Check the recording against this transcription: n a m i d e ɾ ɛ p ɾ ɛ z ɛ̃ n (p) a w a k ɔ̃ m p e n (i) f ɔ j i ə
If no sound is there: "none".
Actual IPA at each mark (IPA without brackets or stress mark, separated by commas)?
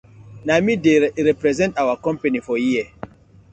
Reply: t, i